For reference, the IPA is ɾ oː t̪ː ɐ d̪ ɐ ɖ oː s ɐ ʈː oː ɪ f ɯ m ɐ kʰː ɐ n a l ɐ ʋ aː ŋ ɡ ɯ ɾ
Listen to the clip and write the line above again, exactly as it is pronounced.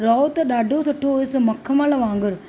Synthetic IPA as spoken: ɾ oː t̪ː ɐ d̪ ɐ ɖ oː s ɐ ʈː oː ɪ s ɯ m ɐ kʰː ɐ m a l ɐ ʋ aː ŋ ɡ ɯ ɾ